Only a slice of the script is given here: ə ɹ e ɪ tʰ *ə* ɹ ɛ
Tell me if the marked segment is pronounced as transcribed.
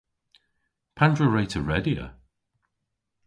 yes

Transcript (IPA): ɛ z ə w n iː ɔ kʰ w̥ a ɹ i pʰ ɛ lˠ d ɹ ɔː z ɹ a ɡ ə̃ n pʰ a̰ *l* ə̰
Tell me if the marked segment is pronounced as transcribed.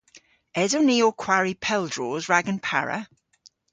no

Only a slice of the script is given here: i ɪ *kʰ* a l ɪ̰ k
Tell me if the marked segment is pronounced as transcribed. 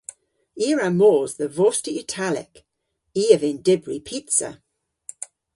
no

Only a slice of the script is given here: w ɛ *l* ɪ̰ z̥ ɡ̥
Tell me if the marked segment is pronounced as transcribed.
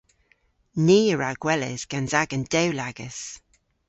yes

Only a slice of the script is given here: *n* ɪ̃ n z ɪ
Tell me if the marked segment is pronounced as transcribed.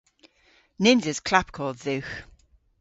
yes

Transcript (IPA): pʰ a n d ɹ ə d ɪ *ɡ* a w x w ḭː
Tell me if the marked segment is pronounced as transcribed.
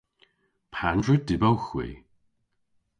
no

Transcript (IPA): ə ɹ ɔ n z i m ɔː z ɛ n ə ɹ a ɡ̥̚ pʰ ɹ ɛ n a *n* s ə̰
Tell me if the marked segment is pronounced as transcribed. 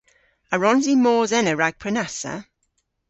no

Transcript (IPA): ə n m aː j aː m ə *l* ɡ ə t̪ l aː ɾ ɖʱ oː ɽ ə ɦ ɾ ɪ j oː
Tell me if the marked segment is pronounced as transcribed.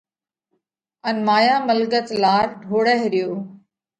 yes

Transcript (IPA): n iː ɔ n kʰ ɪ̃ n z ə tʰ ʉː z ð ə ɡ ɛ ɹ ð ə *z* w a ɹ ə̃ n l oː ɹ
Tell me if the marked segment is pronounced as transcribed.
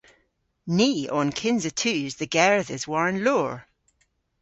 yes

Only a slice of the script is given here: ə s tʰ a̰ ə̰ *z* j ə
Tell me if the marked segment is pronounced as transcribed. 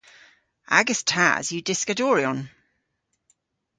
yes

